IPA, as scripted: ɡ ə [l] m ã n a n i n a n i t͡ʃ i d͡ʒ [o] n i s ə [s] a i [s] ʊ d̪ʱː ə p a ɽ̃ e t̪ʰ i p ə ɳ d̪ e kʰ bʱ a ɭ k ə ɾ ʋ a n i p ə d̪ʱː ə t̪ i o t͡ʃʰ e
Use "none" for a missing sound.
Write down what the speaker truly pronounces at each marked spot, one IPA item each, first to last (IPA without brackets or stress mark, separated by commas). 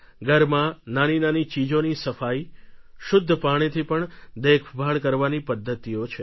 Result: ɾ, o, f, ʃ